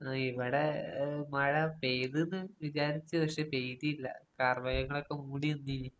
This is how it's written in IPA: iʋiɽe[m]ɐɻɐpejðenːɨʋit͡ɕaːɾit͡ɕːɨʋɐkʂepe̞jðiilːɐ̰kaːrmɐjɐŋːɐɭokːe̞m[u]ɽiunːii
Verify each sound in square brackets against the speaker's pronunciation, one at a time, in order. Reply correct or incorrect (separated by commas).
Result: correct, incorrect